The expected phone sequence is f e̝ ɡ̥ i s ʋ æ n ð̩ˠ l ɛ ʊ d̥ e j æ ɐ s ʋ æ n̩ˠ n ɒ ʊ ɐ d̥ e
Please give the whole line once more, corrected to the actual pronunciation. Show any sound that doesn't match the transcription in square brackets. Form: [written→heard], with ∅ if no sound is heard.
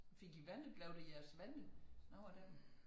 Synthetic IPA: f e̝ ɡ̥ i [s→∅] ʋ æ n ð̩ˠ l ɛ ʊ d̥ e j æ ɐ s ʋ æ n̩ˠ n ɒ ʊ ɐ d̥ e